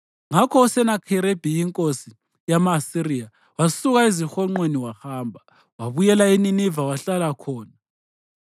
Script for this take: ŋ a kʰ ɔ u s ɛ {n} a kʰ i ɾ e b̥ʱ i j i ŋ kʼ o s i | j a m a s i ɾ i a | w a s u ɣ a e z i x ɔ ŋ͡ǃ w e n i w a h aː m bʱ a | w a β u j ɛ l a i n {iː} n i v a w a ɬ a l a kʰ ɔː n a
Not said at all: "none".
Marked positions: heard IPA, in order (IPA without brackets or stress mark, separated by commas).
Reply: n, i